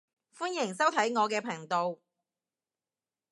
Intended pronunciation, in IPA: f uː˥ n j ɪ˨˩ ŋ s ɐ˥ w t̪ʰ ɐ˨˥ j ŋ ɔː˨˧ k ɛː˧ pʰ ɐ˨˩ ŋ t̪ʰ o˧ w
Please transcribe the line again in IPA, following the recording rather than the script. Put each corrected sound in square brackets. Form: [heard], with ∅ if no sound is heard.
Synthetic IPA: f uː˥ n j ɪ˨˩ ŋ s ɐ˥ w t̪ʰ ɐ˨˥ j ŋ ɔː˨˧ k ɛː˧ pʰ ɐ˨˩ ŋ [t̪] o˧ w